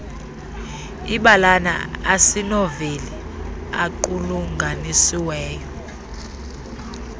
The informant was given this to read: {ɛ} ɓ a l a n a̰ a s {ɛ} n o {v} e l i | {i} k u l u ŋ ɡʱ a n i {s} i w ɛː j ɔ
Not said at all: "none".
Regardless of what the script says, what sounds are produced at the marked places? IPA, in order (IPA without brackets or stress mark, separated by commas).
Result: i, i, v, a, s